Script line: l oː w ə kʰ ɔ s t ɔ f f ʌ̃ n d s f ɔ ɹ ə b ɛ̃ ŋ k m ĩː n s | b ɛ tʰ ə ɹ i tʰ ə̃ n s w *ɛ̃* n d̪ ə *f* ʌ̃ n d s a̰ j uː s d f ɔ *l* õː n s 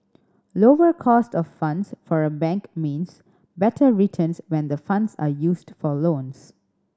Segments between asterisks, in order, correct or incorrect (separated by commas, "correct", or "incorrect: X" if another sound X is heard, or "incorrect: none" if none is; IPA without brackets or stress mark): correct, correct, correct